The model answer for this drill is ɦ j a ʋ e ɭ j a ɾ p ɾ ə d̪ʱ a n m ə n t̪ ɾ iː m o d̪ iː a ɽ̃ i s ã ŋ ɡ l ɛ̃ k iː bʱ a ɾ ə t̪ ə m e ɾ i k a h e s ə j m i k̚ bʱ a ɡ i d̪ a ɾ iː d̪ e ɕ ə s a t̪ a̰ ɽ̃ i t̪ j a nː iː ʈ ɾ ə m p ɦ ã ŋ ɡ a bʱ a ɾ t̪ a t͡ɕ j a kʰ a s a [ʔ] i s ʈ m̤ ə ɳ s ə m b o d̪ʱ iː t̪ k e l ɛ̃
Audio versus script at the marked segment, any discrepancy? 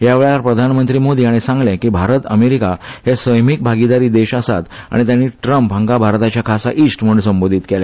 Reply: no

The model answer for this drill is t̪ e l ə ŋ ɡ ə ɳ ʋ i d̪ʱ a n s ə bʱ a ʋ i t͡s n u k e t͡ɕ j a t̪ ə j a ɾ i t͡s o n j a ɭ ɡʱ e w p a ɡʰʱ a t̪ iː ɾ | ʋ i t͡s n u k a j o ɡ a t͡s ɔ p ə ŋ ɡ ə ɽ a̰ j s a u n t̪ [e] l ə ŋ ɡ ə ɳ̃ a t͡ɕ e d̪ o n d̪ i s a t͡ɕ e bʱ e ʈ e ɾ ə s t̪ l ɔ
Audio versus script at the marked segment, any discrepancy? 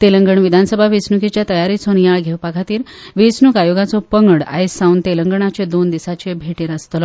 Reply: no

